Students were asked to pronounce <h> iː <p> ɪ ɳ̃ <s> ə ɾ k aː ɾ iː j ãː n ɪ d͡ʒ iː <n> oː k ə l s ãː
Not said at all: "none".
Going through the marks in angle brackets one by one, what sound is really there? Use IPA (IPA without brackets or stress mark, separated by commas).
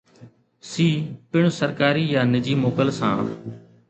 s, p, s, m